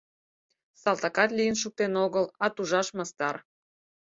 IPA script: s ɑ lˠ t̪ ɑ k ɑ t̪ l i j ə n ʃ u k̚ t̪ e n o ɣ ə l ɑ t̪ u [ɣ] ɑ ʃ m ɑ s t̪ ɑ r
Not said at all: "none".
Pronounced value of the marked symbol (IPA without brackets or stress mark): ʒ